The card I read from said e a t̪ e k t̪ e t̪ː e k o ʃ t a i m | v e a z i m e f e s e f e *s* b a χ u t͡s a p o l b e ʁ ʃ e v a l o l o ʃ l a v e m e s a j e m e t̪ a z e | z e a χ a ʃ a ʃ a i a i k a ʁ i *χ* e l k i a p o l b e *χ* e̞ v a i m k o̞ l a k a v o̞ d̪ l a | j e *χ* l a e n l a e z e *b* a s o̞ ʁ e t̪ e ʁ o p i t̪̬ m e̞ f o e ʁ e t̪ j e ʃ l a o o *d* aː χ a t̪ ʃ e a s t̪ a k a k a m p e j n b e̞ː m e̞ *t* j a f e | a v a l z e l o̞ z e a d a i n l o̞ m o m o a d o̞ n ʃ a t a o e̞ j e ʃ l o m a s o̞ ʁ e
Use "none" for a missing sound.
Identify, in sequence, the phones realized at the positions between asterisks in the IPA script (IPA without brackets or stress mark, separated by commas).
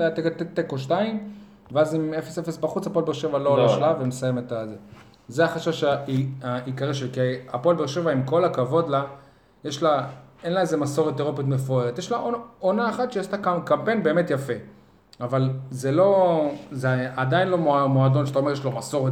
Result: s, ʃ, ʃ, ʃ, m, n, t